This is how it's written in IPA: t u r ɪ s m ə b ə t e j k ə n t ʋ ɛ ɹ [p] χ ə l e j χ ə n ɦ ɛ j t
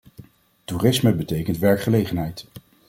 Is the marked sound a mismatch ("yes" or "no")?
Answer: yes